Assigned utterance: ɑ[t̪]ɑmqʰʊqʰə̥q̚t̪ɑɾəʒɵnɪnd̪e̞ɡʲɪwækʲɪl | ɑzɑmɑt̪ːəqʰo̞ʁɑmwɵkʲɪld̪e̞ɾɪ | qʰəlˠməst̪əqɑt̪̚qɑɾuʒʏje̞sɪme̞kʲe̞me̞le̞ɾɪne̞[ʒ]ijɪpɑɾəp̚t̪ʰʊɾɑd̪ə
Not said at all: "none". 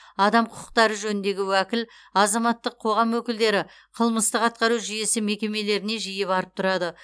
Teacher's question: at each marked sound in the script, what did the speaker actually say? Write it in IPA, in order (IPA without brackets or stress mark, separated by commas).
d̪, ʒ